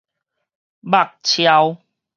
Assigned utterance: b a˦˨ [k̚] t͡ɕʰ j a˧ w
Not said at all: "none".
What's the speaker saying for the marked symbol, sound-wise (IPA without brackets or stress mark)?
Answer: k̚